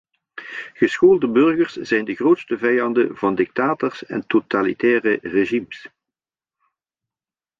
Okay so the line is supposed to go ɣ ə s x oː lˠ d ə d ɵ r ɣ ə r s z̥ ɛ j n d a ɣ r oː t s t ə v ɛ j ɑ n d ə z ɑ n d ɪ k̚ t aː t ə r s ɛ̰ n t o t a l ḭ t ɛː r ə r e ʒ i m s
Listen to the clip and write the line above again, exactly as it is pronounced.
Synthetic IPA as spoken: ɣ ə s x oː lˠ d ə b ɵ r ɣ ə r s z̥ ɛ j n d ə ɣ r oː t s t ə v ɛ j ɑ n d ə v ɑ n d ɪ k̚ t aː t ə r s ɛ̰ n t o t a l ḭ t ɛː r ə r e ʒ i m s